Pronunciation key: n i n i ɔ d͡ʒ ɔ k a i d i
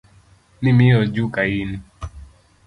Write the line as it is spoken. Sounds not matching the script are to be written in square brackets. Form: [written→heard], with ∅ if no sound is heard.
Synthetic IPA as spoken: n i [n→m] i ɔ d͡ʒ [ɔ→u] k a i [d→n] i